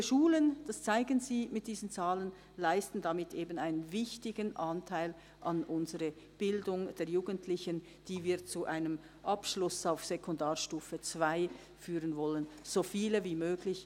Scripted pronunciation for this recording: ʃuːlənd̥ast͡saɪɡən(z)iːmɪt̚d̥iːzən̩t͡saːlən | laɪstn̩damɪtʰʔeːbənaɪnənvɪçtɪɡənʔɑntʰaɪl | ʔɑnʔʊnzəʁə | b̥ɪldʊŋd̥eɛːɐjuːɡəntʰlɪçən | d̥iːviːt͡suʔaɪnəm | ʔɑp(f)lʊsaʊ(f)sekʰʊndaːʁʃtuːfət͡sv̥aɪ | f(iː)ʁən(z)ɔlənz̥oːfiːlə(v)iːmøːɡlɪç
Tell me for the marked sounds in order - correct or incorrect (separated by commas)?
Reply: correct, incorrect, correct, incorrect, incorrect, correct